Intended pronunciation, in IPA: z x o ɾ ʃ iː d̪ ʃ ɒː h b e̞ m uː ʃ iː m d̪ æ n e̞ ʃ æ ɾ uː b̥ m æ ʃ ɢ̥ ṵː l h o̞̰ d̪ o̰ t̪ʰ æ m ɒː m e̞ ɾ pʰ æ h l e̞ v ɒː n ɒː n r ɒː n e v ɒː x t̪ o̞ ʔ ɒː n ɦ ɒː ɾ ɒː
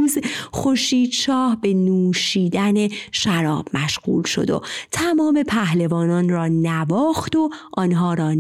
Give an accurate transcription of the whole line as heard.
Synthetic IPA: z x o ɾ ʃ iː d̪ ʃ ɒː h b e̞ n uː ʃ iː d̪ æ n e̞ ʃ æ ɾ ɒː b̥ m æ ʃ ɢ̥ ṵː l ʃ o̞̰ d̪ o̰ t̪ʰ æ m ɒː m e̞ pʰ æ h l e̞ v ɒː n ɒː n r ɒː n æ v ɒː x t̪ o̞ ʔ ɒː n ɦ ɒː ɾ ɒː